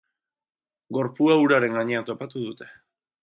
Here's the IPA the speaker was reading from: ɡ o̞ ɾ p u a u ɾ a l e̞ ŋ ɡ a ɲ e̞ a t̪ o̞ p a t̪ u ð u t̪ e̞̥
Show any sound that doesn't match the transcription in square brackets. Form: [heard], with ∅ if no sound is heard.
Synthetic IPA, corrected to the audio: ɡ o̞ ɾ p u a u ɾ a [ɾ] e̞ ŋ ɡ a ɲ e̞ a t̪ o̞ p a t̪ u ð u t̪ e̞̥